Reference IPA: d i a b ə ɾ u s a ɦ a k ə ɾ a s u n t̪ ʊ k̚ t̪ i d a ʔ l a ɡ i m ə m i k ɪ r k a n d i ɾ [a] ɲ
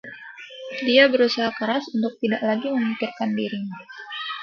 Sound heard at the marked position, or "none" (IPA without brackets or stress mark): i